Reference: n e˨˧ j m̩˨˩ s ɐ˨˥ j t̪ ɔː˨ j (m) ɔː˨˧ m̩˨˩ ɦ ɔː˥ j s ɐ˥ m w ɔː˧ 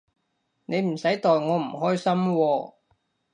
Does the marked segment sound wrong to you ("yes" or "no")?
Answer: yes